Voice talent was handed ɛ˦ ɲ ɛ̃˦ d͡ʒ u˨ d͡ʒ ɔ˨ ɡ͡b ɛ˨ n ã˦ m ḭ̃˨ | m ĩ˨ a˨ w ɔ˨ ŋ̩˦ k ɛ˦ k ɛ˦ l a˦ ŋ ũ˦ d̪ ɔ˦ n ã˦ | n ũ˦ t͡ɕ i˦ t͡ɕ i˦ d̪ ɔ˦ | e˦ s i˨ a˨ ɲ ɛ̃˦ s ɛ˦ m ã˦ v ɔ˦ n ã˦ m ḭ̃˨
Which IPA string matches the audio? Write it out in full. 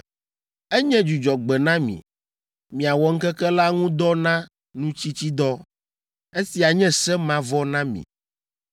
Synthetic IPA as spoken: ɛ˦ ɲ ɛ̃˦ d͡ʒ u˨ d͡ʒ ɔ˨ ɡ͡b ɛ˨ n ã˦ m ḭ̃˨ | m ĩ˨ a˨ w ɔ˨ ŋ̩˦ k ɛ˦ k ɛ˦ l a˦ ŋ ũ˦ d̪ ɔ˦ n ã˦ | n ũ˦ t͡ɕ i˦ t͡ɕ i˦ d̪ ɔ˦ | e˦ s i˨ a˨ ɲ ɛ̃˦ s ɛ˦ m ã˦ v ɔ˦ n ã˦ m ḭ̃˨